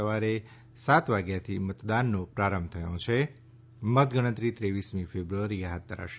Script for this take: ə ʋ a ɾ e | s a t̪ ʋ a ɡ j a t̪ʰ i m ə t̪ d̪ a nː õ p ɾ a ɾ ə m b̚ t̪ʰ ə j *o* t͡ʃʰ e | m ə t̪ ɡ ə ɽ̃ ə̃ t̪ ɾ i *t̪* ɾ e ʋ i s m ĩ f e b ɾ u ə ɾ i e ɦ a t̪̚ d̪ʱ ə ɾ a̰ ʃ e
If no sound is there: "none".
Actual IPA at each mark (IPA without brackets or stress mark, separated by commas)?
õ, t̪